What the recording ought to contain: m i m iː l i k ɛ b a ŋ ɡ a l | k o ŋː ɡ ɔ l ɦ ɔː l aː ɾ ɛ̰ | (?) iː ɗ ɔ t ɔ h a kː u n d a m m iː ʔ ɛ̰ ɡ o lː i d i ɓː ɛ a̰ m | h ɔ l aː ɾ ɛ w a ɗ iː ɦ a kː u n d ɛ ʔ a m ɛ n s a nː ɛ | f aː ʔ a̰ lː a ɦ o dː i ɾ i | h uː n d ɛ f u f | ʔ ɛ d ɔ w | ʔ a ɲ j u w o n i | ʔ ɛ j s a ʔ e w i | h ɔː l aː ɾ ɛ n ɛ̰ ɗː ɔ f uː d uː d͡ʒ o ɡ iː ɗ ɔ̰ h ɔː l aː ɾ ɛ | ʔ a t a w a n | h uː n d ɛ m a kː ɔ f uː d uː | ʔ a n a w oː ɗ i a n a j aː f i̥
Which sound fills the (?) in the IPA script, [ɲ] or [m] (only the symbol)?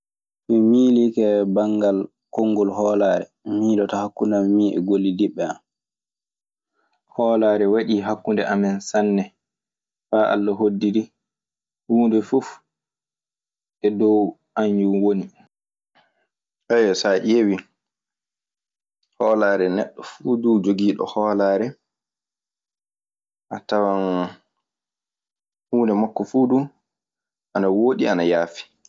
m